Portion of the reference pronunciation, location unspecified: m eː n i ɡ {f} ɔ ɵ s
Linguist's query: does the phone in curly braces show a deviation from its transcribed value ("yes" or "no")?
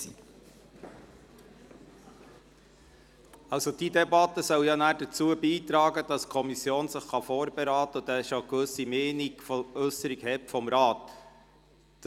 no